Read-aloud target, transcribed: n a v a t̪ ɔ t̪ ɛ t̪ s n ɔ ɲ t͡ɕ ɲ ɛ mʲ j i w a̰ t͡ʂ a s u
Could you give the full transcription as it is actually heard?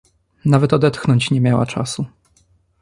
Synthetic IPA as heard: n a v ɛ t̪ ɔ d̪ ɛ t̪ x n ɔ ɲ t͡ɕ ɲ ɛ mʲ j a w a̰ t͡ʂ a s u